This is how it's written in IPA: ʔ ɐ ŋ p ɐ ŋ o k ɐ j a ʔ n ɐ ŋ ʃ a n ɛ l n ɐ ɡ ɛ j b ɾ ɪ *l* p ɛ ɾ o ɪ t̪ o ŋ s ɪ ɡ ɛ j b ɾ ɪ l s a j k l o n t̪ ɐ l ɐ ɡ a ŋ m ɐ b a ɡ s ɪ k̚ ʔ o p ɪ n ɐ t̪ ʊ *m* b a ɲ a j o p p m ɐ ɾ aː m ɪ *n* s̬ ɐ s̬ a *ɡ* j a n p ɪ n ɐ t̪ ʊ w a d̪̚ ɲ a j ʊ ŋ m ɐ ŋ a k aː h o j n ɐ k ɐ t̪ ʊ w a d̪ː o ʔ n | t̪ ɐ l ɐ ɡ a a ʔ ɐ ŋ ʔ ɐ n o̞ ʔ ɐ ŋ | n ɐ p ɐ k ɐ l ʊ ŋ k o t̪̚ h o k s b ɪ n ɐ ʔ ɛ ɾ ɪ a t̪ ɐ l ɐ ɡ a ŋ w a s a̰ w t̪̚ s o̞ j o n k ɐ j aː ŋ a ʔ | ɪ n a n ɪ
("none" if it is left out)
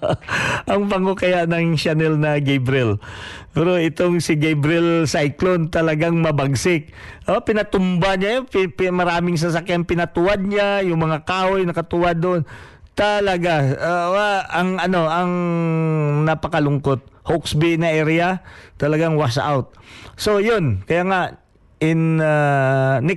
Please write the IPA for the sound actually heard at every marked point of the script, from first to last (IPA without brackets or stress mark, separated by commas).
l, m, ŋ, k